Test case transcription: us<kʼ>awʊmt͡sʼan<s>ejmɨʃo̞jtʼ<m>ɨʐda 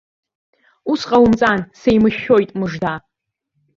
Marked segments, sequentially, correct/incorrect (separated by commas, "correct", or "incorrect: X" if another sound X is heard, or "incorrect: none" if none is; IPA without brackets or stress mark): incorrect: qʼ, correct, correct